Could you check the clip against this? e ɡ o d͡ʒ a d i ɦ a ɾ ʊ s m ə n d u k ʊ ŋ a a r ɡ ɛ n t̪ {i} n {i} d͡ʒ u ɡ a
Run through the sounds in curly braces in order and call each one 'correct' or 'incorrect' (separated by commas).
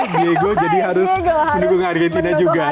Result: correct, incorrect